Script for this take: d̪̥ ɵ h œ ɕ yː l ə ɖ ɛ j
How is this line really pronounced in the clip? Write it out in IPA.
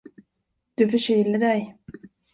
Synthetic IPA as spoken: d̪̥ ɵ f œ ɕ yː l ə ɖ ɛ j